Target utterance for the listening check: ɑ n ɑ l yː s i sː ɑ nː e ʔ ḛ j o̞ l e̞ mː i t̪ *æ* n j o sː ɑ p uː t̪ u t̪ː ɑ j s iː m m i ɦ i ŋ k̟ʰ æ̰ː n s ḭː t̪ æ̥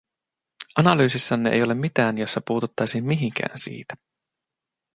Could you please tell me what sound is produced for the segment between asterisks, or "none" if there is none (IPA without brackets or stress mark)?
æː